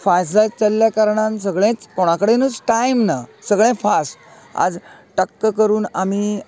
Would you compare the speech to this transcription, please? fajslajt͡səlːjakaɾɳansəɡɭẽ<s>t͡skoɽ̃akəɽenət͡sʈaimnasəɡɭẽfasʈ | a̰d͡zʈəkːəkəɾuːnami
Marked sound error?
yes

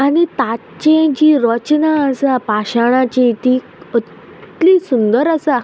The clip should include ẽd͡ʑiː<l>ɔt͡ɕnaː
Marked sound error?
yes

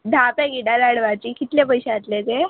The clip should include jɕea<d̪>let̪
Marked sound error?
yes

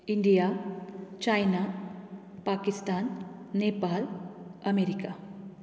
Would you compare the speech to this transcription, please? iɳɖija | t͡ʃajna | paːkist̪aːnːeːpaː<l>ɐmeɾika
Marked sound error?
no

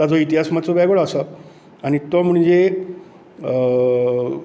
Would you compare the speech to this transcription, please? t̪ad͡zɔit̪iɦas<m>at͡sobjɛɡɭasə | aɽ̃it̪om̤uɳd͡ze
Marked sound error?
no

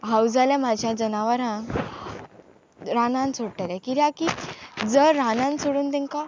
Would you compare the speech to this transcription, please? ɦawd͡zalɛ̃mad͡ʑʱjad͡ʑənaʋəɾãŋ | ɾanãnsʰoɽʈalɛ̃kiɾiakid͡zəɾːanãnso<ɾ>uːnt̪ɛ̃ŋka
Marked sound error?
yes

